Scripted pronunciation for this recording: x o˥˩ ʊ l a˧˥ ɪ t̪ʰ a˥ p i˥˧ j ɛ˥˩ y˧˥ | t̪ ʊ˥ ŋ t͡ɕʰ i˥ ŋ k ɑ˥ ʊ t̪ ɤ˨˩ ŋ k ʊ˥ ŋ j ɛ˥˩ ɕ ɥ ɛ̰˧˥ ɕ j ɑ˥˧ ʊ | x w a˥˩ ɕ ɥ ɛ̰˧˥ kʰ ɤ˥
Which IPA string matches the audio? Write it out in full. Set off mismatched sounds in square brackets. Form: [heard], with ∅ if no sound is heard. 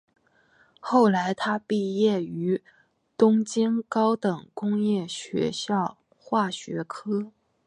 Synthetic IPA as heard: x o˥˩ ʊ l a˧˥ ɪ t̪ʰ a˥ p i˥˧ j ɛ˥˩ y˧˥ | t̪ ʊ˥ ŋ [t͡ɕ] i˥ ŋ k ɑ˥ ʊ t̪ ɤ˨˩ ŋ k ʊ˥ ŋ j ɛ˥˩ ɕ ɥ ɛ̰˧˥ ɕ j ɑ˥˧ ʊ | x w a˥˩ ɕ ɥ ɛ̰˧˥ kʰ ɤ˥